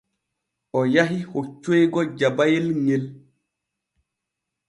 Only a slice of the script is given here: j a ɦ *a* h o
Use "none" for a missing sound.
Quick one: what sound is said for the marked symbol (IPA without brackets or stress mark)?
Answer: i